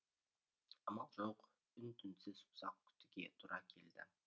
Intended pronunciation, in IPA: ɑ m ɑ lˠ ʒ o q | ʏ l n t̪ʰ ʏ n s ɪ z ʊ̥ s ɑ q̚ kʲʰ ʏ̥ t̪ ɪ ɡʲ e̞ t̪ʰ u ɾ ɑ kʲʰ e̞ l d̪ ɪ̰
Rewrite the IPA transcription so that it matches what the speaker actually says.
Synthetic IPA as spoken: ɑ m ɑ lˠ ʒ o q | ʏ n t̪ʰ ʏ n s ɪ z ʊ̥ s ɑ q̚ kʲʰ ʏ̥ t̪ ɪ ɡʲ e̞ t̪ʰ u ɾ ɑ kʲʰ e̞ l d̪ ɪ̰